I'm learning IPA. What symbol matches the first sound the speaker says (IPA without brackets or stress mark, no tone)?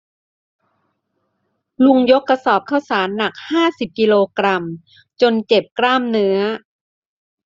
l